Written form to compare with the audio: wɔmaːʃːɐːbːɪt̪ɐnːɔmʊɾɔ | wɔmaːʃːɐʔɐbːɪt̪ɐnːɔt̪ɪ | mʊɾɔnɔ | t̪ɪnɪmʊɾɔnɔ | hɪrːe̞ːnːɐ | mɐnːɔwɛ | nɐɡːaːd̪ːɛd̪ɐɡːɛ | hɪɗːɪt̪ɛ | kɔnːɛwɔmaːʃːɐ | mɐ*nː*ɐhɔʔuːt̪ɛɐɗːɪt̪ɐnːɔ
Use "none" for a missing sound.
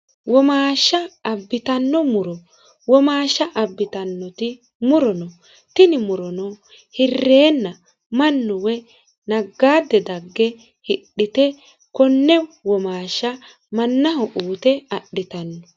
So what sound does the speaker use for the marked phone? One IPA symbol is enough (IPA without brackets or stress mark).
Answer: nː